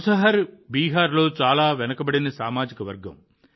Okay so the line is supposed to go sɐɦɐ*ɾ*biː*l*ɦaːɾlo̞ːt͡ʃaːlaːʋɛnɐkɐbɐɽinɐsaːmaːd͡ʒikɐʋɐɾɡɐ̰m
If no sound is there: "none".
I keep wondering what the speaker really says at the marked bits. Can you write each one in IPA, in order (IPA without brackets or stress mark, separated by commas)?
ɾ, none